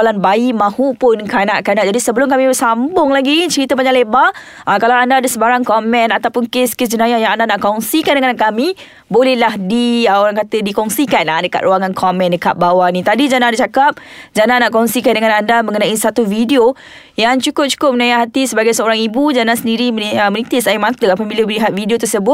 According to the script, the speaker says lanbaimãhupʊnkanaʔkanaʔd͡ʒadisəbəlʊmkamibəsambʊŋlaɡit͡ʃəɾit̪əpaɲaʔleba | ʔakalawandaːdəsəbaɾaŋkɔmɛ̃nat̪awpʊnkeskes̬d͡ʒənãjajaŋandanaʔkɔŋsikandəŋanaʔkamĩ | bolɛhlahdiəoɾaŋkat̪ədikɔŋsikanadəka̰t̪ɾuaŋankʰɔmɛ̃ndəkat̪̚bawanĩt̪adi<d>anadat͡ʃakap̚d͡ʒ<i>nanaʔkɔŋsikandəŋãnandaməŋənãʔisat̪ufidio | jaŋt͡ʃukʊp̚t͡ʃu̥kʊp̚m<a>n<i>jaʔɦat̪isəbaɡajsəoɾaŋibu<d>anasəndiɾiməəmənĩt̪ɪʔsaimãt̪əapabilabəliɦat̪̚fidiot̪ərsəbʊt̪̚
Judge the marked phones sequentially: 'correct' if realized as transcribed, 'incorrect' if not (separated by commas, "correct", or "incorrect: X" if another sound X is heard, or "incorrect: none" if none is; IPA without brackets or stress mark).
incorrect: d͡ʒ, incorrect: a, incorrect: ə, incorrect: a, incorrect: d͡ʒ